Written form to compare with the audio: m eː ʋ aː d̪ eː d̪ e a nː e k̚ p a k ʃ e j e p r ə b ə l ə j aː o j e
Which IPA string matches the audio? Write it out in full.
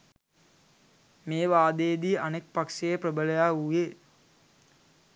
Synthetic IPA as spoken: m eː ʋ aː d̪ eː d̪ i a n e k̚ p a k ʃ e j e p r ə b ə l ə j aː u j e